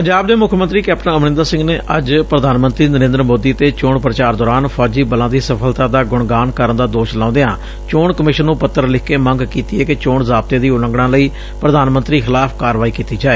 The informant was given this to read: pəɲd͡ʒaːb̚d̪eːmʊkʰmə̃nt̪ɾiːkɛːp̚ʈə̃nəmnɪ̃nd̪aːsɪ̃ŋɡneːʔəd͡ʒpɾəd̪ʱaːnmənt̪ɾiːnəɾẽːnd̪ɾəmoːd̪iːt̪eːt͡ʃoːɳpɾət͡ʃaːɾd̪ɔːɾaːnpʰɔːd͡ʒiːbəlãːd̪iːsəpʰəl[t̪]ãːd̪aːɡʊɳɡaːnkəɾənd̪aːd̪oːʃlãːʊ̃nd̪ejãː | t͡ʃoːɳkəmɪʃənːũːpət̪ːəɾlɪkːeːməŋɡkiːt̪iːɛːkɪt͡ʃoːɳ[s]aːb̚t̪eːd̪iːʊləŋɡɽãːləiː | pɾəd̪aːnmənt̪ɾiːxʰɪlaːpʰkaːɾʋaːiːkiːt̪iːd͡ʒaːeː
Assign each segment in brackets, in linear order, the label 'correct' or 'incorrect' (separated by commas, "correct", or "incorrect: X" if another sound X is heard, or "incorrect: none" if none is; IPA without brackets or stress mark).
correct, incorrect: z